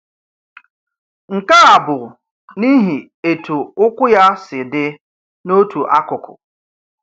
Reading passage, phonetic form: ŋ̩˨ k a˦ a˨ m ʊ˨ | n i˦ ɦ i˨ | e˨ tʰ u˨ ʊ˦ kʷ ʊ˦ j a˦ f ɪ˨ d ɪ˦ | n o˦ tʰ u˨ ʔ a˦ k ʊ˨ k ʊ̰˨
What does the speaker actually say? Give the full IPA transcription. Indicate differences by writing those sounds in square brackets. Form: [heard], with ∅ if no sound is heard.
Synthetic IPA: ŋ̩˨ k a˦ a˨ [b] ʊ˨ | n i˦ ɦ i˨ | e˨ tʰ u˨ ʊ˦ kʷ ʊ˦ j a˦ [s] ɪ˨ d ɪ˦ | n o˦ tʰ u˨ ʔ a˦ k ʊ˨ k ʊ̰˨